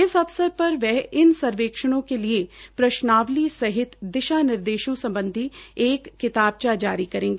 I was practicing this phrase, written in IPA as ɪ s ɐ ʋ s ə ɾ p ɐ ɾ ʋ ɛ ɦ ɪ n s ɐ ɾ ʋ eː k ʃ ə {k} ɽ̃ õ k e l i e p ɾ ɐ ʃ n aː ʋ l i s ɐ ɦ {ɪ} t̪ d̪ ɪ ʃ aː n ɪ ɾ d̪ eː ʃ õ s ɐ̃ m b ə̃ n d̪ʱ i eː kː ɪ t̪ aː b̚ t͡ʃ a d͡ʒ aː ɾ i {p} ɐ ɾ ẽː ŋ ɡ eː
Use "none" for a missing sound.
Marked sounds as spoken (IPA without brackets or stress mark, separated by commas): none, ɪ, k